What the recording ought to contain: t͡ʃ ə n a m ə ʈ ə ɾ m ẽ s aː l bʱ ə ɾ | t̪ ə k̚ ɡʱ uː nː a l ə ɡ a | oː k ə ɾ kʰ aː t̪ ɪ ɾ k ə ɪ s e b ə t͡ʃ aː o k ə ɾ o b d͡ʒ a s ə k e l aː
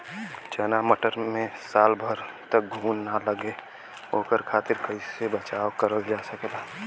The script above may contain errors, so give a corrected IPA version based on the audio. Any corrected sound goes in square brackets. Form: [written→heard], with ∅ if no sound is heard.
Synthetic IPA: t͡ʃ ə n a m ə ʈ ə ɾ m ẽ s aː l bʱ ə ɾ | t̪ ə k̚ ɡʱ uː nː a l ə ɡ [a→e] | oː k ə ɾ kʰ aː t̪ ɪ ɾ k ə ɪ s e b ə t͡ʃ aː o k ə ɾ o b d͡ʒ a s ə k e l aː